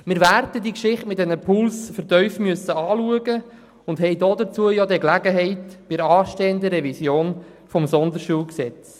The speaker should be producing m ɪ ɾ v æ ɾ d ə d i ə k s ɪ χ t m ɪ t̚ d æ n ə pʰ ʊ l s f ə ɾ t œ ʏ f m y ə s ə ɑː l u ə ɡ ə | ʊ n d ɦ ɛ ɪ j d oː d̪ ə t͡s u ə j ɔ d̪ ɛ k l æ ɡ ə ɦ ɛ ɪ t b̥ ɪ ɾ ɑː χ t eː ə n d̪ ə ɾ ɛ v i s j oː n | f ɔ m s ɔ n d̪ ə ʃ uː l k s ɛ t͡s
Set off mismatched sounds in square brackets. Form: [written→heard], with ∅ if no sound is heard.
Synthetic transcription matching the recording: m ɪ ɾ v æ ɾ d ə d i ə k [s→ʃ] ɪ χ t m ɪ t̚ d [æ→ɛ] n ə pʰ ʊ l s f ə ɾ t œ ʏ f m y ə s ə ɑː l u ə ɡ ə | ʊ n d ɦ ɛ ɪ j d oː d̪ ə t͡s u ə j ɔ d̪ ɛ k l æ ɡ ə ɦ ɛ ɪ t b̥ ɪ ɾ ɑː [χ→ʃ] t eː ə n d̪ ə ɾ ɛ v i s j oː n | f ɔ m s ɔ n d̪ ə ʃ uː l k s ɛ t͡s